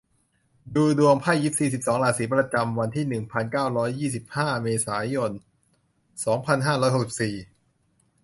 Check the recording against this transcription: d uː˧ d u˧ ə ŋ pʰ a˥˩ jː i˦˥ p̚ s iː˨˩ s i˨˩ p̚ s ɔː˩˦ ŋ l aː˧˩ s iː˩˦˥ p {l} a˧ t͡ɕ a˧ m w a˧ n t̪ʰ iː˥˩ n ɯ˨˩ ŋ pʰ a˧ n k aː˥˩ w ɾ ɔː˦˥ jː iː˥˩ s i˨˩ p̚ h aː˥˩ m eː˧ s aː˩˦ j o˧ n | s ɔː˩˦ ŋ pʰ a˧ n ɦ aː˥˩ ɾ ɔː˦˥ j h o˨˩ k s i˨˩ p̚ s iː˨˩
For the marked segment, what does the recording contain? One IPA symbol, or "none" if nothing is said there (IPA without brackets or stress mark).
ɾ